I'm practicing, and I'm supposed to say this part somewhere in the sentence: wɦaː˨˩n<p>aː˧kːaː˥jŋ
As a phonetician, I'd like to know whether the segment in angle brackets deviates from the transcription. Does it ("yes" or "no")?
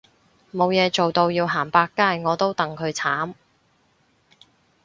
no